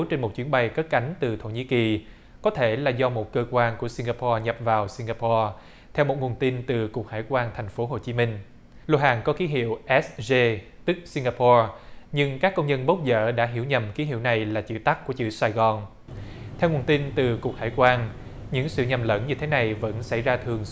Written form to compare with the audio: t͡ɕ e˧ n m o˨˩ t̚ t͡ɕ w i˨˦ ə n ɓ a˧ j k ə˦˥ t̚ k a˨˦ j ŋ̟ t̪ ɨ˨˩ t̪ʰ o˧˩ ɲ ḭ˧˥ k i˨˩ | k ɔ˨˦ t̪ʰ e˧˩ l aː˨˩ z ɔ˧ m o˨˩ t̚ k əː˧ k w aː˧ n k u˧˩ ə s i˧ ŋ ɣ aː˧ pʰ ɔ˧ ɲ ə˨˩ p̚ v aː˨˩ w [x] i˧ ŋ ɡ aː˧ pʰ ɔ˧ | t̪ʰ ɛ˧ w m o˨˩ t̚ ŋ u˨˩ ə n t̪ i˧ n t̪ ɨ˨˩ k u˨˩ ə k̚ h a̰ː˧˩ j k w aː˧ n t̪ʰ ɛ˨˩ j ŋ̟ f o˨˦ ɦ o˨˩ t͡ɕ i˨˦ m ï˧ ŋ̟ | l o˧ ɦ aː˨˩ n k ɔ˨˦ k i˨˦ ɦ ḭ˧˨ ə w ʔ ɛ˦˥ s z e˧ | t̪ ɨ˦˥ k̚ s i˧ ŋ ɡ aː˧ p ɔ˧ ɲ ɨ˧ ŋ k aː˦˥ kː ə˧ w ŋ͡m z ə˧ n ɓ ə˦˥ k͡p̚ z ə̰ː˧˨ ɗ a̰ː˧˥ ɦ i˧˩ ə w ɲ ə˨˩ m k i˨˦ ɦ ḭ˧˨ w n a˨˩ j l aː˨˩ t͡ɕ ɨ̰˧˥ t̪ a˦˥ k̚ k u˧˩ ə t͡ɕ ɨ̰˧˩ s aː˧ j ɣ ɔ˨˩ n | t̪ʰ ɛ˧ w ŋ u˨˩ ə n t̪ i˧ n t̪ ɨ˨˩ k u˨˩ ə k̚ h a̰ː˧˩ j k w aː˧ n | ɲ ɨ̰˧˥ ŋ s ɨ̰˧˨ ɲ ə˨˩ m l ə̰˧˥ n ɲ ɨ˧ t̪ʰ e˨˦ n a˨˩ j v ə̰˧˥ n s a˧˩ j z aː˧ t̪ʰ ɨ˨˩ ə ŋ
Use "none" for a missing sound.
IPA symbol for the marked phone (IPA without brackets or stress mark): s